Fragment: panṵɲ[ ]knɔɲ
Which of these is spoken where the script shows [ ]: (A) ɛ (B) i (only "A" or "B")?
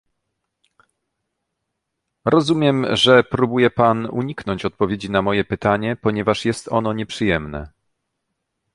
B